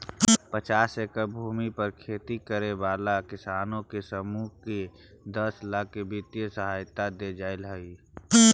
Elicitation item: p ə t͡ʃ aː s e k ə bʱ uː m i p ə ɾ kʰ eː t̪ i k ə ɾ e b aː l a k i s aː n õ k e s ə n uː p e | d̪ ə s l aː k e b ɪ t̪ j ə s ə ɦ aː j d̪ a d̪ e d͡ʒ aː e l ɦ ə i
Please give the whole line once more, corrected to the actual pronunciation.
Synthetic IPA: p ə t͡ʃ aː s e k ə bʱ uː m i p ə ɾ kʰ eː t̪ i k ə ɾ e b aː l a k ɪ s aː n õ k e s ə m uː k e | d̪ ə s l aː k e b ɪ t̪ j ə s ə ɦ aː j t̪ a d̪ e d͡ʒ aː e l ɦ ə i

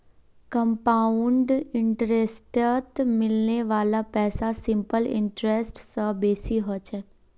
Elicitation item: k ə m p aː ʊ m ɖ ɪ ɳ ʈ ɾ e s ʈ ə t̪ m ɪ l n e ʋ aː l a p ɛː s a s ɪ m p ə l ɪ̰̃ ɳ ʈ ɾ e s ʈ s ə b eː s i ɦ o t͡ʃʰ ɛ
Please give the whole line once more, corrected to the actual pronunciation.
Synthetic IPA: k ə m p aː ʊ ɳ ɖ ɪ ɳ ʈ ɾ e s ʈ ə t̪ m ɪ l n e ʋ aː l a p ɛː s a s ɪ m p ə l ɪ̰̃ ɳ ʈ ɾ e s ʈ s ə b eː s i ɦ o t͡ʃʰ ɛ

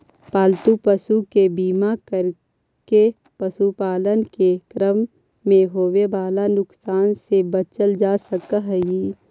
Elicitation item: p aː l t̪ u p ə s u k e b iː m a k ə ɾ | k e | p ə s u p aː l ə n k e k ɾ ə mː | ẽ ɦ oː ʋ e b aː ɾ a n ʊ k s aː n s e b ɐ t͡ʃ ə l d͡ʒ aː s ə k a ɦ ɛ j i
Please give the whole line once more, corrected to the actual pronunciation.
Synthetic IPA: p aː l t̪ u p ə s u k e b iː m a k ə ɾ | k e | p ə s u p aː l ə n k e k ɾ ə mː | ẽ ɦ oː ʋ e b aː l a n ʊ k s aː n s e b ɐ t͡ʃ ə l d͡ʒ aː s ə k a ɦ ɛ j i

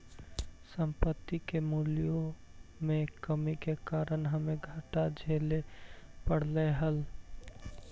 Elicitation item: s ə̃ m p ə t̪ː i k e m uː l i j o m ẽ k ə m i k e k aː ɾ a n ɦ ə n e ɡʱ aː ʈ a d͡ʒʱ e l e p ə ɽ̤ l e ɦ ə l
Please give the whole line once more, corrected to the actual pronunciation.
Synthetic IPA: s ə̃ m p ə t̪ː i k e m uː l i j o m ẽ k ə m i k e k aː ɾ ə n ɦ ə m e ɡʱ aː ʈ a d͡ʒʱ e l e p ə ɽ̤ l e ɦ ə l

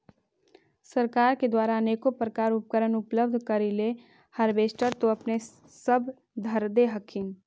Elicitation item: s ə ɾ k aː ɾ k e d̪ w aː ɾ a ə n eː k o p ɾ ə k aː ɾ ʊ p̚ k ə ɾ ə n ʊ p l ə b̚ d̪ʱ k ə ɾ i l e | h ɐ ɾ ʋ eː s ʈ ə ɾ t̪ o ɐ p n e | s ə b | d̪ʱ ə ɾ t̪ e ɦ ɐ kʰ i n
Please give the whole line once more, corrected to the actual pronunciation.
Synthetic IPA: s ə ɾ k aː ɾ k e d̪ w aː ɾ a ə n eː k o p ɾ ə k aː ɾ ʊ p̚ k ə ɾ ə n ʊ p l ə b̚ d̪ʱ k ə ɾ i l e | h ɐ ɾ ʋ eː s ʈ ə ɾ t̪ o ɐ p n e | s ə b | d̪ʱ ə ɾ d̪ e ɦ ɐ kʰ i n

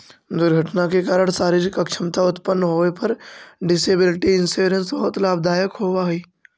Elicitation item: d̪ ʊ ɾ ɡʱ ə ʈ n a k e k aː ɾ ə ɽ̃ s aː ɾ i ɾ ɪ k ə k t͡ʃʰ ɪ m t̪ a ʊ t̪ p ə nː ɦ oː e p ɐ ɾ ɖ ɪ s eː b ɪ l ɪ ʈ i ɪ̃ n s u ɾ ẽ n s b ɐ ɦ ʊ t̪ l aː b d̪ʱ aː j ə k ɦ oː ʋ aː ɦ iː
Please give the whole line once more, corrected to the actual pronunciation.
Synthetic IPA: d̪ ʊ ɾ ɡʱ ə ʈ n a k e k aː ɾ ə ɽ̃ s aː ɾ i ɾ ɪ k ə k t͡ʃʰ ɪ m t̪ a ʊ t̪ p ə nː ɦ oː e p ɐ ɾ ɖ ɪ s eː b ɪ l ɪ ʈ i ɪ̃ n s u ɾ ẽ n s b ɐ ɦ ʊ t̪ l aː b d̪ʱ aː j ə k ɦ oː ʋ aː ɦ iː

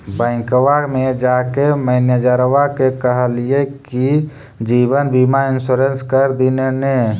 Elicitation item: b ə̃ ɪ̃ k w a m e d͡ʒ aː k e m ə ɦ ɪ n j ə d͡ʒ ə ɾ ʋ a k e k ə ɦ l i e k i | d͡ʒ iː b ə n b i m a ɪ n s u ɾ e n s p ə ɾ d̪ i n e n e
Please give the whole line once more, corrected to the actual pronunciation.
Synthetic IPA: b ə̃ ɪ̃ k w a m e d͡ʒ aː k e m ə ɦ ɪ n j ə d͡ʒ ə ɾ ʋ a k e k ə ɦ l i e k i | d͡ʒ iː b ə n b i m a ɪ n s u ɾ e n s k ə ɾ d̪ i n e n e

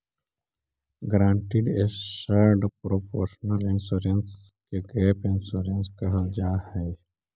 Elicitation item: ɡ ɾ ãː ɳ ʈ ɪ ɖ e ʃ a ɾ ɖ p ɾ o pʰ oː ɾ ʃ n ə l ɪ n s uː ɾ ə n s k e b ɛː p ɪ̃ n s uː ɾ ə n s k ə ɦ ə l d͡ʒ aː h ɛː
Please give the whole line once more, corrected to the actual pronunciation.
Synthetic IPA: ɡ ɾ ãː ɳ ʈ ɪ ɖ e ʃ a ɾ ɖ p ɾ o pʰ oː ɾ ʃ n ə l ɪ n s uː ɾ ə n s k e ɡ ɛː p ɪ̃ n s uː ɾ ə n s k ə ɦ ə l d͡ʒ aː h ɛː

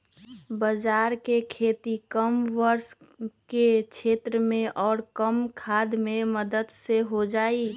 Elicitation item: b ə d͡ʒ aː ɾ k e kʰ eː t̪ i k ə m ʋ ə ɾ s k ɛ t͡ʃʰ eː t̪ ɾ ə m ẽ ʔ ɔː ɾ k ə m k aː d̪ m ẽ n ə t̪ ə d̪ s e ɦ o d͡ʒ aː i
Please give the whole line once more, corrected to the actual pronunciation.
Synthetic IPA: b ə d͡ʒ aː ɾ k e kʰ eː t̪ i k ə m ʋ ə ɾ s k e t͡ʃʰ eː t̪ ɾ ə m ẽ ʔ ɔː ɾ k ə m kʰ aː d̪ m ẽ m ə d̪ ə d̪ s e ɦ o d͡ʒ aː i

